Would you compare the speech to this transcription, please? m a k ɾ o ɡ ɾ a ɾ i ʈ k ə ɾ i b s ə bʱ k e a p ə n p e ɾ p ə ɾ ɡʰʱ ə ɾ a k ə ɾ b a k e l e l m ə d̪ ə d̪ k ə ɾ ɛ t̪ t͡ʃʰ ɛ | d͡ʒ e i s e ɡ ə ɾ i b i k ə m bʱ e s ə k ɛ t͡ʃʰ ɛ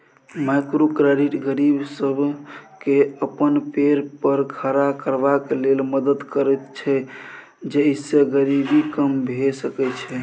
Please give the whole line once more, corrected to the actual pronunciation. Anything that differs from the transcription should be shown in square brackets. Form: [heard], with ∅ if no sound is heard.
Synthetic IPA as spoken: m a k ɾ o [k] ɾ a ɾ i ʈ [ɡ] ə ɾ i b s ə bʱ k e [ə] p ə n p e ɾ p ə ɾ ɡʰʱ ə ɾ a k ə ɾ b a k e l e l m ə d̪ ə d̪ k ə ɾ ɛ t̪ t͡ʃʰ ɛ | d͡ʒ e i s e ɡ ə ɾ i b i k ə m bʱ e s ə k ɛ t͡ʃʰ ɛ